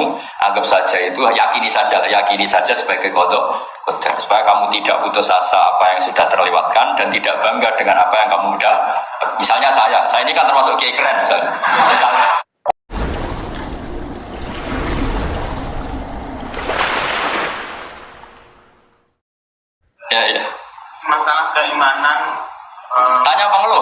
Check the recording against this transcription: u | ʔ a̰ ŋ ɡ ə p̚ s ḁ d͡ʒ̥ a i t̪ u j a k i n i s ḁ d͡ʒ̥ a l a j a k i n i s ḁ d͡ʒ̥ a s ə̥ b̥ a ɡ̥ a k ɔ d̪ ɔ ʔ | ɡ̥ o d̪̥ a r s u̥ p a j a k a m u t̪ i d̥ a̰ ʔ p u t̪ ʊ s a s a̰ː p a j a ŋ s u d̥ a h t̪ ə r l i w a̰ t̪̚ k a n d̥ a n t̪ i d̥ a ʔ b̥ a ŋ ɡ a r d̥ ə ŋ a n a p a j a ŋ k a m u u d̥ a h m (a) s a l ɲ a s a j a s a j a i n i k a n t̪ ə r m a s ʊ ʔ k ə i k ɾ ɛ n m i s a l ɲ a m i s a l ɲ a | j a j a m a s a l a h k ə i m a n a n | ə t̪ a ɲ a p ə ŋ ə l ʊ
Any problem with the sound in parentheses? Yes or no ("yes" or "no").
yes